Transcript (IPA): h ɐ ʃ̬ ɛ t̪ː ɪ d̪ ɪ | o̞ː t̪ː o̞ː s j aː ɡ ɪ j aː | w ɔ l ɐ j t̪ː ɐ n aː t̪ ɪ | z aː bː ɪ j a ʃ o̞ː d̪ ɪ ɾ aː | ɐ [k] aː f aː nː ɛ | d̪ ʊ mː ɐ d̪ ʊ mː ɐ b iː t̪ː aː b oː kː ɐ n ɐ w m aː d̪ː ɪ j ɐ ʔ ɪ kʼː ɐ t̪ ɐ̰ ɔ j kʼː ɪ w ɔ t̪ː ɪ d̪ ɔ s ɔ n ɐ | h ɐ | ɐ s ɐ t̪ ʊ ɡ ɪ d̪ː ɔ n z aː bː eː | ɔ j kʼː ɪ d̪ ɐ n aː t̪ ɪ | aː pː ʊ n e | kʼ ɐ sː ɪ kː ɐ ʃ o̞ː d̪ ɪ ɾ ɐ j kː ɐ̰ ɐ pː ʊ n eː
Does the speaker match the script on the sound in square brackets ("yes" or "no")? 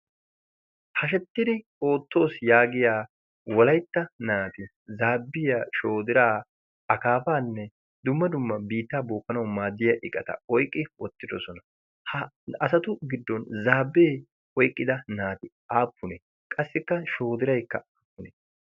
yes